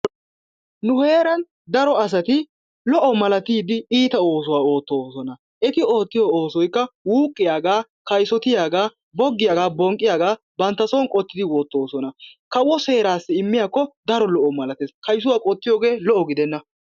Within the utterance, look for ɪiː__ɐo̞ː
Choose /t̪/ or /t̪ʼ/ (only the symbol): t̪